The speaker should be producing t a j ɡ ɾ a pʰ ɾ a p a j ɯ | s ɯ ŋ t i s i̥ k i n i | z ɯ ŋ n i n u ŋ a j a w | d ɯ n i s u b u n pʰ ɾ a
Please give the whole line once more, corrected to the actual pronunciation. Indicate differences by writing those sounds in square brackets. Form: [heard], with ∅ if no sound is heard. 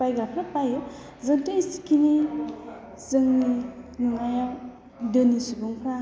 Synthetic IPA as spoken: [p] a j ɡ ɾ a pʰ ɾ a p a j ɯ | [z] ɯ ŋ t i s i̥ k i n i | z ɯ ŋ n i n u ŋ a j a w | d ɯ n i s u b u [ŋ] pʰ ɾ a